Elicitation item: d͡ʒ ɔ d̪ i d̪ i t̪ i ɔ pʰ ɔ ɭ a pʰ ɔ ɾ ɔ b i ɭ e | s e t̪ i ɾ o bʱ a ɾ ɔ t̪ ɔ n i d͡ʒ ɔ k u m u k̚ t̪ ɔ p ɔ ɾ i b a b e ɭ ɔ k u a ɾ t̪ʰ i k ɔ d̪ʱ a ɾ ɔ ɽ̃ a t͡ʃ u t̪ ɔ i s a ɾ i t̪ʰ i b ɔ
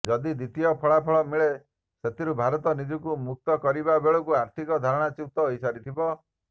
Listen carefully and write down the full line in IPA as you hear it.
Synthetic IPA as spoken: d͡ʒ ɔ d̪ i d̪ i t̪ i ɔ pʰ ɔ ɭ a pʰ ɔ ɭ ɔ m i ɭ e | s e t̪ i ɾ u bʱ a ɾ ɔ t̪ ɔ n i d͡ʒ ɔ k u m u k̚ t̪ ɔ k ɔ ɾ i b a b e ɭ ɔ k u a ɾ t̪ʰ i k ɔ d̪ʱ a ɾ ɔ ɽ̃ a t͡ʃ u t̪ ɔ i s a ɾ i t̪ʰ i b ɔ

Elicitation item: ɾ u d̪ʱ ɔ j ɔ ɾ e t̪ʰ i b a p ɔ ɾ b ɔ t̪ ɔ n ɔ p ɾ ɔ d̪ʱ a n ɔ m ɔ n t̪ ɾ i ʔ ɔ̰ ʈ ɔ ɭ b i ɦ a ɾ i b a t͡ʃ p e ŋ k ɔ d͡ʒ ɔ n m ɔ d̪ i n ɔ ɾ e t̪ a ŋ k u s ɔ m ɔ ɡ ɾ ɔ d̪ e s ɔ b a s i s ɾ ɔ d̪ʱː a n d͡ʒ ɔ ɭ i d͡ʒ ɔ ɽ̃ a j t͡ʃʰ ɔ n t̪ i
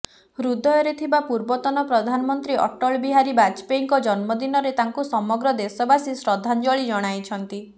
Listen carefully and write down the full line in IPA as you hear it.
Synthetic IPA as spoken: ɾ u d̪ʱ ɔ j ɔ ɾ e t̪ʰ i b a p u ɾ b ɔ t̪ ɔ n ɔ p ɾ ɔ d̪ʱ a n ɔ m ɔ n t̪ ɾ i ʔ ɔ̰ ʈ ɔ ɭ b i ɦ a ɾ i b a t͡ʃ p e ŋ k ɔ d͡ʒ ɔ n m ɔ d̪ i n ɔ ɾ e t̪ a ŋ k u s ɔ m ɔ ɡ ɾ ɔ d̪ e s ɔ b a s i s ɾ ɔ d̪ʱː a n d͡ʒ ɔ ɭ i d͡ʒ ɔ ɽ̃ a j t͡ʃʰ ɔ n t̪ i

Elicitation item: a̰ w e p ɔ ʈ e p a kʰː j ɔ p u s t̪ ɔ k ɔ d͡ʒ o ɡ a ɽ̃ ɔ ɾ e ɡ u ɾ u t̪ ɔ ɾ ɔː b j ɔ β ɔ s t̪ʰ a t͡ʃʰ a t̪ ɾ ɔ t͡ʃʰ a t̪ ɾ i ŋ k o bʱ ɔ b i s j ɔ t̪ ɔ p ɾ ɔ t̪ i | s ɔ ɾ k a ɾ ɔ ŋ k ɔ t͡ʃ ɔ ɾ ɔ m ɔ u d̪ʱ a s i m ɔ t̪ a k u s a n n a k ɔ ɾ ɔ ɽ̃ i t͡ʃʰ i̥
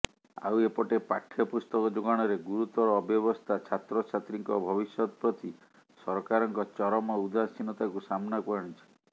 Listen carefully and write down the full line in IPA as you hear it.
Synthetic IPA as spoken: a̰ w e p ɔ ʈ e p a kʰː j ɔ p u s t̪ ɔ k ɔ d͡ʒ o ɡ a ɽ̃ ɔ ɾ e ɡ u ɾ u t̪ ɔ ɾ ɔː b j ɔ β ɔ s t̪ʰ a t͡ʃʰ a t̪ ɾ ɔ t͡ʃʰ a t̪ ɾ i ŋ k ɔ bʱ ɔ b i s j ɔ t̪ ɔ p ɾ ɔ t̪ i | s ɔ ɾ k a ɾ ɔ ŋ k ɔ t͡ʃ ɔ ɾ ɔ m ɔ u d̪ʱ a s i n ɔ t̪ a k u s a m n a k ɔ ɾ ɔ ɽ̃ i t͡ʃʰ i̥

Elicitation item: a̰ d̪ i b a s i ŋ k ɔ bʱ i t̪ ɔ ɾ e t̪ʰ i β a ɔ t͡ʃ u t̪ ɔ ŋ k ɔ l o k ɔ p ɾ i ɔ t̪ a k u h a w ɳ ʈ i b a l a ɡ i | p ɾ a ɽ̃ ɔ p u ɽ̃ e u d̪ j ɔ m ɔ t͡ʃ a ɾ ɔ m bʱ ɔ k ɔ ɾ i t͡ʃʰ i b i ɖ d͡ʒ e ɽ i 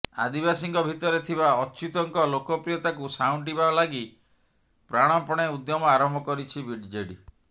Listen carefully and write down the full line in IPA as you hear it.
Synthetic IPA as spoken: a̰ d̪ i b a s i ŋ k ɔ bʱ i t̪ ɔ ɾ e t̪ʰ i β a ɔ t͡ʃ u t̪ ɔ ŋ k ɔ l o k ɔ p ɾ i ɔ t̪ a k u s a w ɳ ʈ i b a l a ɡ i | p ɾ a ɽ̃ ɔ p ɔ ɽ̃ e u d̪ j ɔ m ɔ a ɾ ɔ m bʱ ɔ k ɔ ɾ i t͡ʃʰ i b i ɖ d͡ʒ e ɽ i

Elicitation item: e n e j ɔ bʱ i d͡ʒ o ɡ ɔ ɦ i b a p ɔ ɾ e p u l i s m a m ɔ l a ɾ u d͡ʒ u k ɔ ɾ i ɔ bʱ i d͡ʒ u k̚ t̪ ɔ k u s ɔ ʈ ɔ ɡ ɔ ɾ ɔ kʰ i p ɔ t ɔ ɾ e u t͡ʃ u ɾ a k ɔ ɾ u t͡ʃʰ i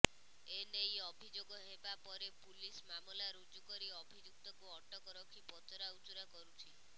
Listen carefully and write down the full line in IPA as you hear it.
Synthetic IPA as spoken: e n e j ɔ bʱ i d͡ʒ o ɡ ɔ ɦ e b a p ɔ ɾ e p u l i s m a m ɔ l a ɾ u d͡ʒ u k ɔ ɾ i ɔ bʱ i d͡ʒ u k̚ t̪ ɔ k u ɔ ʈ ɔ k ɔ ɾ ɔ kʰ i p ɔ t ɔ ɾ a u t͡ʃ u ɾ a k ɔ ɾ u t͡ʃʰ i

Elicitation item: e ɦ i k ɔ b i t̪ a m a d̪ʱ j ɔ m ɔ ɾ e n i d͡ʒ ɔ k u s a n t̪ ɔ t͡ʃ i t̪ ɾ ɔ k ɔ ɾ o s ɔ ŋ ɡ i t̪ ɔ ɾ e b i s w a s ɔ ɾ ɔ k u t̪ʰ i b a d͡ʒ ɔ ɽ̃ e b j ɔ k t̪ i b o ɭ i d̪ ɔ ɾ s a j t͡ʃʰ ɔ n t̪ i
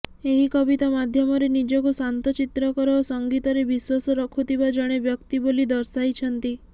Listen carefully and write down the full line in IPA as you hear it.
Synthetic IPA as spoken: e ɦ i k ɔ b i t̪ a m a d̪ʱ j ɔ m ɔ ɾ e n i d͡ʒ ɔ k u s a n t̪ ɔ t͡ʃ i t̪ ɾ ɔ k ɔ ɾ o s ɔ ŋ ɡ i t̪ ɔ ɾ e b i s w a s ɔ ɾ ɔ kʰ u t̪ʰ i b a d͡ʒ ɔ ɽ̃ e b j ɔ k t̪ i b o l i d̪ ɔ ɾ s a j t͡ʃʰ ɔ n t̪ i

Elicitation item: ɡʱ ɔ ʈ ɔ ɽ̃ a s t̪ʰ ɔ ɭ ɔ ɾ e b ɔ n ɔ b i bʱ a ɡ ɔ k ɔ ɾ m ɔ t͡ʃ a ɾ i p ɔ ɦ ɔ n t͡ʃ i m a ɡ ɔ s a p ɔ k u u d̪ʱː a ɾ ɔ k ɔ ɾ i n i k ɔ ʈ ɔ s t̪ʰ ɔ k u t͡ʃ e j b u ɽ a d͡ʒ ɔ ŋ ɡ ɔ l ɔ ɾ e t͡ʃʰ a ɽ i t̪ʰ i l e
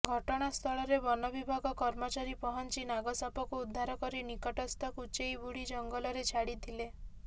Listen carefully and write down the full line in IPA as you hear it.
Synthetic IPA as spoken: ɡʱ ɔ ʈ ɔ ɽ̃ a s t̪ʰ ɔ ɭ ɔ ɾ e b ɔ n ɔ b i bʱ a ɡ ɔ k ɔ ɾ m ɔ t͡ʃ a ɾ i p ɔ ɦ ɔ n t͡ʃ i n a ɡ ɔ s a p ɔ k u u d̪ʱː a ɾ ɔ k ɔ ɾ i n i k ɔ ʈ ɔ s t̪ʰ ɔ k u t͡ʃ e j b u ɽ i d͡ʒ ɔ ŋ ɡ ɔ l ɔ ɾ e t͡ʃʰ a ɽ i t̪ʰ i l e

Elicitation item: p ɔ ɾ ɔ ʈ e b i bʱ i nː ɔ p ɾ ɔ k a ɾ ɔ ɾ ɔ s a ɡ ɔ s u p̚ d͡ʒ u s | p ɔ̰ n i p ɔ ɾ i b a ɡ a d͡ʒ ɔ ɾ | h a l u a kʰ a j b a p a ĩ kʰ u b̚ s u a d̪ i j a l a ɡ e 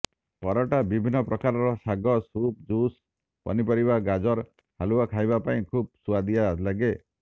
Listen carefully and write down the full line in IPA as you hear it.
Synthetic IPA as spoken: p ɔ ɾ ɔ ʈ a b i bʱ i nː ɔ p ɾ ɔ k a ɾ ɔ ɾ ɔ s a ɡ ɔ s u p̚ d͡ʒ u s | p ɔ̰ n i p ɔ ɾ i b a ɡ a d͡ʒ ɔ ɾ | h a l u a kʰ a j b a p a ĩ kʰ u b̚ s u a d̪ i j a l a ɡ e

